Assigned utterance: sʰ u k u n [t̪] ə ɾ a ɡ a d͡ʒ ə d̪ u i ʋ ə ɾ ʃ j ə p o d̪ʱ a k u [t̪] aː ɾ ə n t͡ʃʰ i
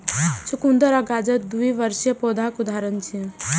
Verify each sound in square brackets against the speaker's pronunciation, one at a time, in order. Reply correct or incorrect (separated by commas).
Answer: incorrect, incorrect